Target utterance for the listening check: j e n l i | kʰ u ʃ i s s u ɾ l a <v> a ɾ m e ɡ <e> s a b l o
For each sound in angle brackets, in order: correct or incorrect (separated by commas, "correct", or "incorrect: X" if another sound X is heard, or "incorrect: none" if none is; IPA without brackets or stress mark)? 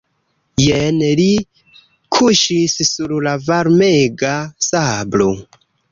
correct, incorrect: a